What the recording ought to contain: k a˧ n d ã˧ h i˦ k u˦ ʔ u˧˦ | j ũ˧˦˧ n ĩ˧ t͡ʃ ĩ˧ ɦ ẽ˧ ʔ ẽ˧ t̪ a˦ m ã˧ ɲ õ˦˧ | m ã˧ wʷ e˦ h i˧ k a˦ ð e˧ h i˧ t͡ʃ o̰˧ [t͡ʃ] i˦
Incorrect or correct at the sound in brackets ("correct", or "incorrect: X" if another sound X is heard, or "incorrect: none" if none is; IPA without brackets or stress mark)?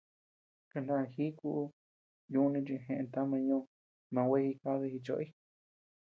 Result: incorrect: none